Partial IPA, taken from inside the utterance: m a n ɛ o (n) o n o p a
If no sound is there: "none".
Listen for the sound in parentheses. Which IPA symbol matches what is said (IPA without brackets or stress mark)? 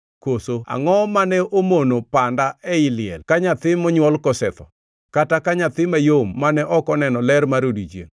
m